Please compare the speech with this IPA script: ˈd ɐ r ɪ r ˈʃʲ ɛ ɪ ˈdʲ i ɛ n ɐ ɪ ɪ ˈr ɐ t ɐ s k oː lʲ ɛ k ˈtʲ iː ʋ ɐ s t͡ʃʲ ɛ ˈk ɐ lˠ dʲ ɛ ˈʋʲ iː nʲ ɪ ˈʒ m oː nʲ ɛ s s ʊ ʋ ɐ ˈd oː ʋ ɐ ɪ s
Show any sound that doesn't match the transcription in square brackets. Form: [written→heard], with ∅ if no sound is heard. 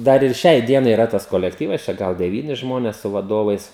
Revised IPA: ˈd ɐ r ɪ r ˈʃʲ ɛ ɪ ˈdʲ i ɛ n ɐ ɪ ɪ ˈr ɐ t ɐ s k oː lʲ ɛ k ˈtʲ iː ʋ ɐ s t͡ʃʲ ɛ [ˈk→ˈɡ] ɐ lˠ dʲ ɛ ˈʋʲ iː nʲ ɪ ˈʒ m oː nʲ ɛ s s ʊ ʋ ɐ ˈd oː ʋ ɐ ɪ s